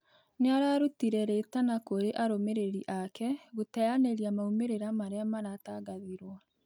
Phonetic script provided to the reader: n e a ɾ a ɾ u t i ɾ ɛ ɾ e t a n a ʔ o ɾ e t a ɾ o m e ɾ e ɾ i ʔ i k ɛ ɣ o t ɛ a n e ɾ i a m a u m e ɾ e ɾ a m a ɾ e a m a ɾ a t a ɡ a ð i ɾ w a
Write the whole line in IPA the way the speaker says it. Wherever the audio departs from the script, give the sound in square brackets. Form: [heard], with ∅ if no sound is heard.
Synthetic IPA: n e a ɾ a ɾ u t i ɾ ɛ ɾ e t a n a [k] o ɾ e [ʔ] a ɾ o m e ɾ e ɾ i ʔ [a] k ɛ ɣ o t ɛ a n e ɾ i a m a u m e ɾ e ɾ a m a ɾ e a m a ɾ a t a ɡ a ð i ɾ w a